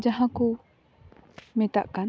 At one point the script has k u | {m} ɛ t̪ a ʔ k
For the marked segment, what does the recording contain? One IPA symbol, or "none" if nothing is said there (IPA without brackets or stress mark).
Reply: m